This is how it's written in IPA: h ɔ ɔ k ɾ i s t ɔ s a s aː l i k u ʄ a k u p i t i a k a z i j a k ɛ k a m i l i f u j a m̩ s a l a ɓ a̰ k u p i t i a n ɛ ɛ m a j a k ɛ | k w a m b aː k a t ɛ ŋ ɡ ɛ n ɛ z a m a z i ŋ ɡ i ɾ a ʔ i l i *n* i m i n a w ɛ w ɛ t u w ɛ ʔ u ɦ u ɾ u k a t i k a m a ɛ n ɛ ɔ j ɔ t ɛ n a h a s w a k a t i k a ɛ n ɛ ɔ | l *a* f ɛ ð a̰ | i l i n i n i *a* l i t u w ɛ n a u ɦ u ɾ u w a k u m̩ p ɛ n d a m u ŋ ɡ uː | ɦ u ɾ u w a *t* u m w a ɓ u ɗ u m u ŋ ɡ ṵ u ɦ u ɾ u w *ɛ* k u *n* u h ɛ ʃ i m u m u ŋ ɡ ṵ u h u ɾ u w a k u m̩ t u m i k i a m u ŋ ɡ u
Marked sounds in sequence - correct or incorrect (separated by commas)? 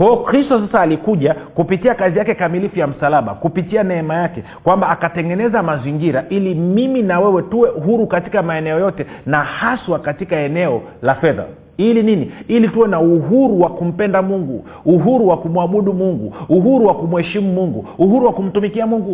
incorrect, correct, incorrect, incorrect, incorrect, incorrect